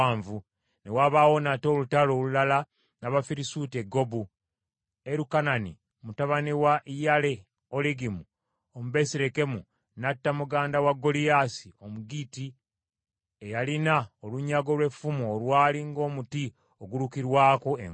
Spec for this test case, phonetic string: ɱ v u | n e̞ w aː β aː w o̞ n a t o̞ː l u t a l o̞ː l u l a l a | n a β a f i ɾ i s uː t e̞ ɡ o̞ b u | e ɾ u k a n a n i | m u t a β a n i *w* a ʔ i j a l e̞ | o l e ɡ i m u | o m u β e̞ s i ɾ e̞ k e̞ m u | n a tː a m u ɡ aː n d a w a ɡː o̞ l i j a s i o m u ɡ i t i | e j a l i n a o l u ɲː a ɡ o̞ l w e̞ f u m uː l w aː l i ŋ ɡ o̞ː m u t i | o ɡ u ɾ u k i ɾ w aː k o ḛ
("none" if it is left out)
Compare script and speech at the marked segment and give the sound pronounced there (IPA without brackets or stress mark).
w